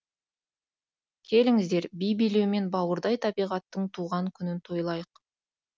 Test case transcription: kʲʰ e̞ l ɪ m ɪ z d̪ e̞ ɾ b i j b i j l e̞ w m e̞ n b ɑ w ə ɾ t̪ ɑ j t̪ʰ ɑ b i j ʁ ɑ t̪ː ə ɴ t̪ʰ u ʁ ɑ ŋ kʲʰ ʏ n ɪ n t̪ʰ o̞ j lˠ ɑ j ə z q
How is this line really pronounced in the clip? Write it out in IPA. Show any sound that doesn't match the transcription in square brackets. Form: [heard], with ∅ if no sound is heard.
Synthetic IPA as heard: kʲʰ e̞ l ɪ [ŋ] ɪ z d̪ e̞ ɾ b i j b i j l e̞ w m e̞ n b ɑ w ə ɾ [d̪] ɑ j t̪ʰ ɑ b i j ʁ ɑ t̪ː ə ɴ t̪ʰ u ʁ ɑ ŋ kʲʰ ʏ n ɪ n t̪ʰ o̞ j lˠ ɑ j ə [∅] q